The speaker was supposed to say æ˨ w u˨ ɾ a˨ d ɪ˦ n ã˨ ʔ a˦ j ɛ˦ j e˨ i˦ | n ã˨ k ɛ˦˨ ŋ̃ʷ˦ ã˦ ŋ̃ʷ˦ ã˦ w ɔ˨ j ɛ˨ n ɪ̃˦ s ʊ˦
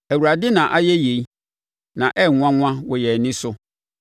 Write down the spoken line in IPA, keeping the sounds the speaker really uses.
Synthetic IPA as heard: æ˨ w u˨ ɾ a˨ d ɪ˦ n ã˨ ʔ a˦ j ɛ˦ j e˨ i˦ | n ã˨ ʔ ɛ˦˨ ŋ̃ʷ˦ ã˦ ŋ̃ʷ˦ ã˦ w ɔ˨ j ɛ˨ n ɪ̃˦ s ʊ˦